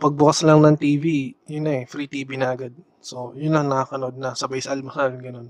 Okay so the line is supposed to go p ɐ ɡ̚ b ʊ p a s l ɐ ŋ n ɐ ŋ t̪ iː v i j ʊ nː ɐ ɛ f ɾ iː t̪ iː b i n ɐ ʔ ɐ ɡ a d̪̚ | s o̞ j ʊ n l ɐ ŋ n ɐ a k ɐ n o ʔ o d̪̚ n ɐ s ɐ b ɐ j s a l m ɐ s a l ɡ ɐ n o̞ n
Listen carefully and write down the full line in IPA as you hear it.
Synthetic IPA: p ɐ ɡ̚ b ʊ k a s l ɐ ŋ n ɐ ŋ t̪ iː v i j ʊ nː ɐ ɛ f ɾ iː t̪ iː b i n ɐ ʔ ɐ ɡ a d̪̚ | s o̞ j ʊ n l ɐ ŋ n ɐ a k ɐ n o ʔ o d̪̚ n ɐ s ɐ b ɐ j s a l m ɐ s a l ɡ ɐ n o̞ n